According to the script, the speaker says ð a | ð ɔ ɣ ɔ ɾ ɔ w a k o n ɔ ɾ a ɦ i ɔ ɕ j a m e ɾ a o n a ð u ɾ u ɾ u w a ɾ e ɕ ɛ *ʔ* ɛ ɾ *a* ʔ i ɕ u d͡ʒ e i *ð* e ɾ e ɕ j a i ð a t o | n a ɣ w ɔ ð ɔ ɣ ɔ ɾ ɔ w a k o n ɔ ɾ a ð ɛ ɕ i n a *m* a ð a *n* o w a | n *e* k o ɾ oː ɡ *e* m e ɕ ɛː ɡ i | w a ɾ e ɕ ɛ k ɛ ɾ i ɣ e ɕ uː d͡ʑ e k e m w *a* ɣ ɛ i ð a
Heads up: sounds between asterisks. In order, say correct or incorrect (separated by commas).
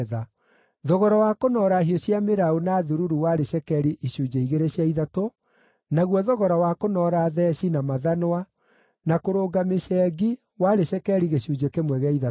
incorrect, incorrect, incorrect, correct, correct, incorrect, incorrect, incorrect